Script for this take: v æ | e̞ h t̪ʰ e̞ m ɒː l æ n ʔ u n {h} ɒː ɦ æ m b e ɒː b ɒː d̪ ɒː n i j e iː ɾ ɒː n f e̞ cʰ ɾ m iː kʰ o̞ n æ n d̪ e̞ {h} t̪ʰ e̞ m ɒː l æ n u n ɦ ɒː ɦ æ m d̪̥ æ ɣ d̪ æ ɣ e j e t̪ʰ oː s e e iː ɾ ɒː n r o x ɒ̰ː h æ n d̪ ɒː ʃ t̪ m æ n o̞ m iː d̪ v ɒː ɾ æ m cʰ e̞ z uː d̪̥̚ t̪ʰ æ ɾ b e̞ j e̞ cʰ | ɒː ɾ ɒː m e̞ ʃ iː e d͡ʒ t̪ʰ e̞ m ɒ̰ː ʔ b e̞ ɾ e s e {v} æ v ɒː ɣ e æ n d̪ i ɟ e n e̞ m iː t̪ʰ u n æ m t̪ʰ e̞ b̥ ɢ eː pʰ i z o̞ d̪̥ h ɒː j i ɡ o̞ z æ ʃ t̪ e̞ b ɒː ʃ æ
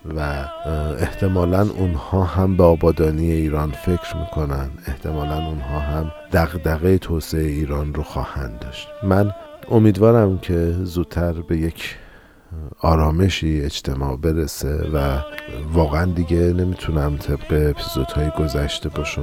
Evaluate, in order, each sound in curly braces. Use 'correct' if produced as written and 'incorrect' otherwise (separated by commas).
correct, correct, correct